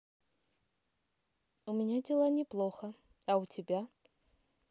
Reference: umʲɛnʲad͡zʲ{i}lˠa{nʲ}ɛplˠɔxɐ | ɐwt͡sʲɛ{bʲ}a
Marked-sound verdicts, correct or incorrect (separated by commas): incorrect, correct, correct